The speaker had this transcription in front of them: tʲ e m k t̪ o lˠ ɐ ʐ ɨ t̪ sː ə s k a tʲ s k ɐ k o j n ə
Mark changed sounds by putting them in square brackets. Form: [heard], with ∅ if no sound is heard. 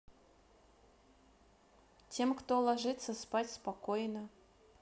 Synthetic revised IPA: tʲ e m k t̪ o lˠ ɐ ʐ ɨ t̪ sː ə s [p] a tʲ s [p] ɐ k o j n ə